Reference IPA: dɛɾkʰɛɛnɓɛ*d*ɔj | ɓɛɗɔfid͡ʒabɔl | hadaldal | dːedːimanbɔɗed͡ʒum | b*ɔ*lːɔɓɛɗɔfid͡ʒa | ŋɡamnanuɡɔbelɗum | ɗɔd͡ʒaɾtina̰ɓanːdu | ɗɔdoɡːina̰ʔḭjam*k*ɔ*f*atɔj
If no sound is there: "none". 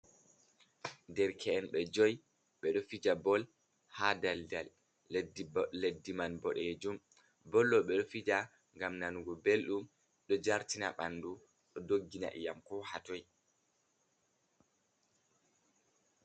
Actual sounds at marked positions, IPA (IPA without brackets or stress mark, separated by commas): d͡ʒ, ɔ, k, h